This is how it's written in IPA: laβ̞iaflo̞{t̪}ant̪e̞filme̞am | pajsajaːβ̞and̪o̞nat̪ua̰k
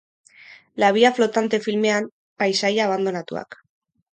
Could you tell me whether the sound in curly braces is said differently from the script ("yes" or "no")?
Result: no